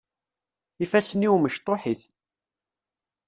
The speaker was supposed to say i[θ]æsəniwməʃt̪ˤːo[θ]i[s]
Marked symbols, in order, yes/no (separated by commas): no, no, no